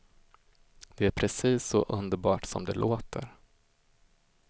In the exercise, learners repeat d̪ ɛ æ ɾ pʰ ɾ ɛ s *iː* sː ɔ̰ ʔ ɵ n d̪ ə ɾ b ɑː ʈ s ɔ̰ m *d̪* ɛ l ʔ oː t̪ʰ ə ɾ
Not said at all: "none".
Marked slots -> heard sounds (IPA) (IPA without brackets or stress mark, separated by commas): iː, d̪